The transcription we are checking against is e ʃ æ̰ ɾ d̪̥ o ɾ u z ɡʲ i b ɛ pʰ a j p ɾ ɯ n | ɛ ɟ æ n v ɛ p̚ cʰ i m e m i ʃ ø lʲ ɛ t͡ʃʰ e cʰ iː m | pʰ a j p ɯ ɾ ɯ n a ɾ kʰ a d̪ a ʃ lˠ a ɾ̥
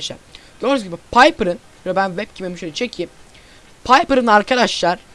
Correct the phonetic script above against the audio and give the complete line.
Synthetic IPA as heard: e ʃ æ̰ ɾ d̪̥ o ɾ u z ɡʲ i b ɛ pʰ a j p ɾ ɯ n | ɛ b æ n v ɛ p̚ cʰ i m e m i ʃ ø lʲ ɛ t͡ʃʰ e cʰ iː m | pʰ a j p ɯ ɾ ɯ n a ɾ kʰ a d̪ a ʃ lˠ a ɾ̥